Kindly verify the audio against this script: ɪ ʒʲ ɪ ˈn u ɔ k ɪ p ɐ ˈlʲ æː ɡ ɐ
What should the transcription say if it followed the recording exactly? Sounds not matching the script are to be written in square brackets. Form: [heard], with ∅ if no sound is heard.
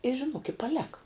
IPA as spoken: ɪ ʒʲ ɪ ˈn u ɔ k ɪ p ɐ ˈlʲ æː [k] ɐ